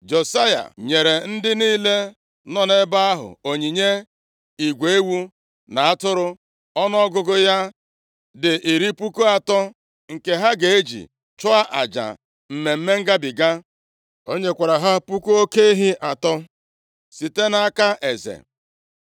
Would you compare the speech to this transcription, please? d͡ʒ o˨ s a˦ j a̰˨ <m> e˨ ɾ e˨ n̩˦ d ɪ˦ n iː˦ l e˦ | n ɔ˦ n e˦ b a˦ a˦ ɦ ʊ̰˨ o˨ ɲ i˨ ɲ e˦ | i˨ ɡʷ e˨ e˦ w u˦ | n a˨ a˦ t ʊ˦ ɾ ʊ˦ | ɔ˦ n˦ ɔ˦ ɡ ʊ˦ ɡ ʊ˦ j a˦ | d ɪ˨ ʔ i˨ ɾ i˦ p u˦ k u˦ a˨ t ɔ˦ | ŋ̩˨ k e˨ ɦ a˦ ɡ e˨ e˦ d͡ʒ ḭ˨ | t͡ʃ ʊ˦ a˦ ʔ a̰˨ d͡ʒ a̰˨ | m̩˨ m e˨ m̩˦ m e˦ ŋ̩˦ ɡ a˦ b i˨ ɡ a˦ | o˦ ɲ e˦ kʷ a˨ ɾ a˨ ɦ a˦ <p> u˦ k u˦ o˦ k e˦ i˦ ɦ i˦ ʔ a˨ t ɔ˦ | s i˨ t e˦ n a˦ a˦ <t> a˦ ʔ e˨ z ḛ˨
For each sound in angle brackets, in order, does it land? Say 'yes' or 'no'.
no, yes, no

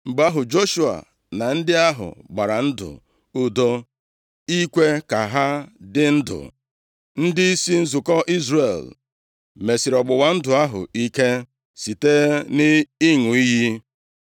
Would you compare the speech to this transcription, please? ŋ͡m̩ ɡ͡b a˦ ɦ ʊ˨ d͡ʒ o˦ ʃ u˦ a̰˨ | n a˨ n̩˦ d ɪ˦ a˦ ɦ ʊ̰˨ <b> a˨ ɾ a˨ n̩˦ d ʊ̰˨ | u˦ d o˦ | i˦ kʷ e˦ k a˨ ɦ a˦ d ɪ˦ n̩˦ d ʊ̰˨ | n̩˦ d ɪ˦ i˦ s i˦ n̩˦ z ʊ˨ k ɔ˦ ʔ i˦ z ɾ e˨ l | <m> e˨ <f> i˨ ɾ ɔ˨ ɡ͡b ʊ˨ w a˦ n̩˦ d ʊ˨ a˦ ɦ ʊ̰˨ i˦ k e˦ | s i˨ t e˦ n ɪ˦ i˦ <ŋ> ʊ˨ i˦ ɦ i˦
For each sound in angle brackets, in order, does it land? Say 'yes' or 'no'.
no, yes, no, yes

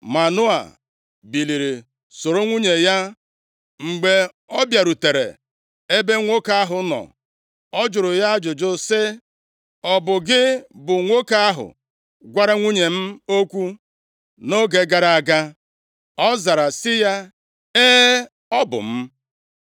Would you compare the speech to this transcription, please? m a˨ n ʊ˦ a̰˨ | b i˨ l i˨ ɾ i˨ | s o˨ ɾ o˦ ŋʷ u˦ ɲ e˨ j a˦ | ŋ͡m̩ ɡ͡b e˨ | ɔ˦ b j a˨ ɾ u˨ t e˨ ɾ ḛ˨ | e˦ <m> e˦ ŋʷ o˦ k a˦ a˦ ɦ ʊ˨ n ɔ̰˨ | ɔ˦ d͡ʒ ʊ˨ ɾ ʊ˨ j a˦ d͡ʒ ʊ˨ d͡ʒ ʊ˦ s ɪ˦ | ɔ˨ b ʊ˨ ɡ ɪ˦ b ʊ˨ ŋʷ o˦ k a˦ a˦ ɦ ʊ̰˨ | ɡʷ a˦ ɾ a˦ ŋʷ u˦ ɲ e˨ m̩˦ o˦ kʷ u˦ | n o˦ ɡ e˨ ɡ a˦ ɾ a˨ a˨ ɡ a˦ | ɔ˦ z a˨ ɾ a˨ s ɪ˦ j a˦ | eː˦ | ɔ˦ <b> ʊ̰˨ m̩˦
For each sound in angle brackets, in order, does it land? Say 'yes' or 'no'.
no, yes

